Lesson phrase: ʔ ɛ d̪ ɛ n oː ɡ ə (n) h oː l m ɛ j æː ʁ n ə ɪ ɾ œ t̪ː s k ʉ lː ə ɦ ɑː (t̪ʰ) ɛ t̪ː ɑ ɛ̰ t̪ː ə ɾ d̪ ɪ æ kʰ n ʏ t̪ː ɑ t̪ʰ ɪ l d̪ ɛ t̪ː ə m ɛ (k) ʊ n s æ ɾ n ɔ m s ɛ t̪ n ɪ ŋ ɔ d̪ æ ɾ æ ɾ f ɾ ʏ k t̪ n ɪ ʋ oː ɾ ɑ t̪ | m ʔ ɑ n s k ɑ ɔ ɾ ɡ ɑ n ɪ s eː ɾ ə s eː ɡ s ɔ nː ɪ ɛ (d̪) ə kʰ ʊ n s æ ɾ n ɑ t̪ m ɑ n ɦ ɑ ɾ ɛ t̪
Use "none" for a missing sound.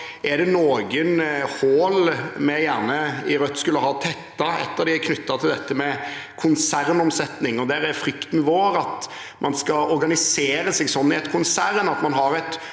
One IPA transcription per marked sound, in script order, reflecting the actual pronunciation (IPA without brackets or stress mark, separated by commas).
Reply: n, t̪ʰ, kʰ, t̪